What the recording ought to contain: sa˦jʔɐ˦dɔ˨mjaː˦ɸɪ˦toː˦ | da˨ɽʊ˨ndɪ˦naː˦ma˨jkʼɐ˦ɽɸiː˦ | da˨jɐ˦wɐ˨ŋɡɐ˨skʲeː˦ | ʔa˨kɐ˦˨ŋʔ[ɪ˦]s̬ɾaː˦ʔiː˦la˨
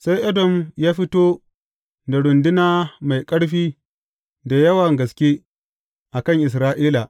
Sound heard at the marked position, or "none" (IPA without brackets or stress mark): ɪ˨